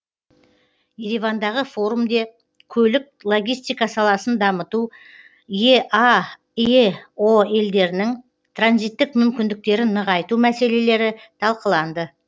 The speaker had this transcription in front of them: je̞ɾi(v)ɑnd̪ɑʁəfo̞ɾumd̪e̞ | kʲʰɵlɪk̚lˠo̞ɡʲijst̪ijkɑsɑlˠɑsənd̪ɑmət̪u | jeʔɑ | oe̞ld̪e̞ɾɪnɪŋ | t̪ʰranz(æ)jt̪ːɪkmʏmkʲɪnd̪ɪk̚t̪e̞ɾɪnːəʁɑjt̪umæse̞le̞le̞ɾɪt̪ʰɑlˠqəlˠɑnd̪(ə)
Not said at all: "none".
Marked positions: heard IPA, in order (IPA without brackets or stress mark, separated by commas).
v, i, ə